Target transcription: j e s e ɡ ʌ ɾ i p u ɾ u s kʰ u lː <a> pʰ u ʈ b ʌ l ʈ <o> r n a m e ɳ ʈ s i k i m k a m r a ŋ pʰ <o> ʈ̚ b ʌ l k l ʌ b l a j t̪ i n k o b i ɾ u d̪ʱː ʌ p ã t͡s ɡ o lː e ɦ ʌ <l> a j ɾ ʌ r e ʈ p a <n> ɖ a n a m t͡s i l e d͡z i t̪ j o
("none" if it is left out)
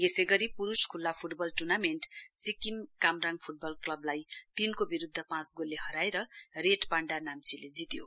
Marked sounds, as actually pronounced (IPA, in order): a, u, u, ɾ, ɳ

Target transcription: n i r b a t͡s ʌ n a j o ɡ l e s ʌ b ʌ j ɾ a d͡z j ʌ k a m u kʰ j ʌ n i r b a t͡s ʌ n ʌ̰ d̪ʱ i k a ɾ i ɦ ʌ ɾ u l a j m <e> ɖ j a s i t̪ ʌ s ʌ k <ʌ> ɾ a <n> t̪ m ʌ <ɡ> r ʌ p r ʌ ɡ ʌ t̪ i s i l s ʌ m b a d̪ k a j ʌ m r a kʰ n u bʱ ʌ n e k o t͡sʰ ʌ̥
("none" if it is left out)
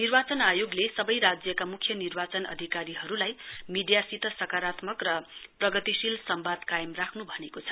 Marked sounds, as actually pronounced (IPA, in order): i, a, none, k

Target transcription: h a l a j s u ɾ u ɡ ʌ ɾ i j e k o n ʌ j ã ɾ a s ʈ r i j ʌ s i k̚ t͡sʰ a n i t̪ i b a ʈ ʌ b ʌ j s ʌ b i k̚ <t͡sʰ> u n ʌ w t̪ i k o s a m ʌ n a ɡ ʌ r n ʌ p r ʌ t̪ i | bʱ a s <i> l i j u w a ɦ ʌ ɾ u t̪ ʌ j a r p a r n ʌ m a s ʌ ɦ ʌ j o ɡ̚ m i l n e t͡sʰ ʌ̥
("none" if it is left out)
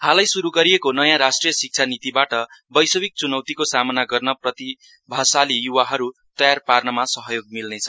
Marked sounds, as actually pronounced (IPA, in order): t͡s, a

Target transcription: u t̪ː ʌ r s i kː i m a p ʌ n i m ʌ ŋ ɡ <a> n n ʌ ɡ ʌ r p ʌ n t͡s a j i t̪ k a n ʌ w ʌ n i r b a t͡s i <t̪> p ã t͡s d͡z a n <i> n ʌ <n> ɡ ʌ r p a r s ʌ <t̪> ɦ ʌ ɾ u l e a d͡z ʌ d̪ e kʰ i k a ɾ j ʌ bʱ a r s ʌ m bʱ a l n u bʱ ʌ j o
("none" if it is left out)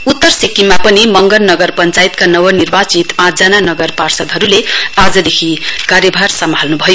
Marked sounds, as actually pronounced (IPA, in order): ʌ, t̪, a, none, d̪

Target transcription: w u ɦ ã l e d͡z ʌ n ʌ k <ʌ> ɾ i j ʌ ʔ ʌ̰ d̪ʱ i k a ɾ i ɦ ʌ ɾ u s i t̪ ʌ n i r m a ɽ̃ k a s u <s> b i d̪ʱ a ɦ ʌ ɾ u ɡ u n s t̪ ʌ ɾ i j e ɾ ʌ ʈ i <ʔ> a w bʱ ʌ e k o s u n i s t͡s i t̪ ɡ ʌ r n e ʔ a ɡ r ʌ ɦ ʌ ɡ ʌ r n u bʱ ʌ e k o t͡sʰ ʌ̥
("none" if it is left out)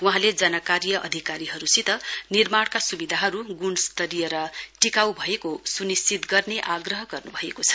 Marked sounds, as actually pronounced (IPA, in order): a, none, k

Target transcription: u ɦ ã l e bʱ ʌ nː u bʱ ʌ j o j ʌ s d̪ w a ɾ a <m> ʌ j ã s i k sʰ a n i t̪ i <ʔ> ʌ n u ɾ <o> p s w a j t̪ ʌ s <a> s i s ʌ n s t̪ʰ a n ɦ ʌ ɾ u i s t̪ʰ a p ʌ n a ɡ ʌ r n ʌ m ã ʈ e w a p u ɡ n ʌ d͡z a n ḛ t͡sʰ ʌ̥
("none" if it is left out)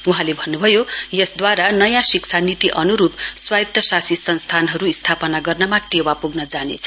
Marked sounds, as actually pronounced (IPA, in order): n, ʔ, u, a

